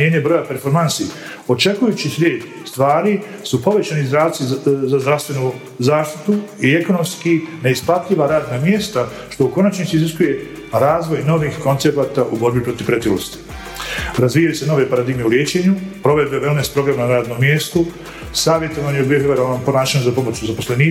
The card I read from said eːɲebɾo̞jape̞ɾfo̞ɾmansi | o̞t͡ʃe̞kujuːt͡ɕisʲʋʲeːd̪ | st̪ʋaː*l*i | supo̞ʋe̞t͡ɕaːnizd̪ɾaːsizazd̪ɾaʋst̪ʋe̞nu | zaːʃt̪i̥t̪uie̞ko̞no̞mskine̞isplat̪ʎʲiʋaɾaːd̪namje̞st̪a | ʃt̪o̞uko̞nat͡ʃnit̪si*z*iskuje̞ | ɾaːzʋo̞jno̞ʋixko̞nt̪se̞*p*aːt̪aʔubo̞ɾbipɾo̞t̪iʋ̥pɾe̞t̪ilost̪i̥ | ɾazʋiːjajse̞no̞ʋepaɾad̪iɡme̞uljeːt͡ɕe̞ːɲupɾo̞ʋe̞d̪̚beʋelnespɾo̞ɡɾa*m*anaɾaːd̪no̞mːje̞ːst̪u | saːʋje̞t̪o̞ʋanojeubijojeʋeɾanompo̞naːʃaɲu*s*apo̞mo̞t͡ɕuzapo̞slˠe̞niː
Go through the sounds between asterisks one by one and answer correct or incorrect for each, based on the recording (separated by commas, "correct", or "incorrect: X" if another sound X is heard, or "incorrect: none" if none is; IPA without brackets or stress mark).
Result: incorrect: ɾ, correct, correct, correct, incorrect: z